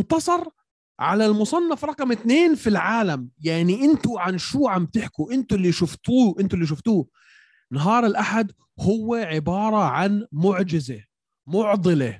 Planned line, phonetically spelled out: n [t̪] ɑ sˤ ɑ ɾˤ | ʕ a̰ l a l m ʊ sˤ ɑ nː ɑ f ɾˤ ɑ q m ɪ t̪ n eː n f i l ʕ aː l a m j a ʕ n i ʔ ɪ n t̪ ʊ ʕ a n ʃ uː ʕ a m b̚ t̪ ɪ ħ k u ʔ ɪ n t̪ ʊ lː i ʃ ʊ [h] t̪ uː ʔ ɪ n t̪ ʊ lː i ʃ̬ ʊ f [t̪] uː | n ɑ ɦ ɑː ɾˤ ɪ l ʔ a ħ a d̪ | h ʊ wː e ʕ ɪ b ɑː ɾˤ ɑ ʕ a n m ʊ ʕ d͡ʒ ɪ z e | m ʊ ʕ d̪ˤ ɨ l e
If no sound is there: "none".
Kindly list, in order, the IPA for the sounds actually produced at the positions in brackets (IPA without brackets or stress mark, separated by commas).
t̪, f, t̪